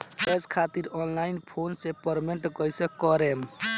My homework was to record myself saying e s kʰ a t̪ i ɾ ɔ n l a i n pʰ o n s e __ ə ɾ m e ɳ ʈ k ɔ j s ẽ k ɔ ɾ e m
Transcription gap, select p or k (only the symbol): p